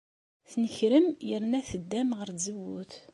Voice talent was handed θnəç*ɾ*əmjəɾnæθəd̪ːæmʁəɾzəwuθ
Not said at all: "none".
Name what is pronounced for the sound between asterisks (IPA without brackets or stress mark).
ɾ